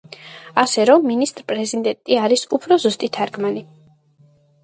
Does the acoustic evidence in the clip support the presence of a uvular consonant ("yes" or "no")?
no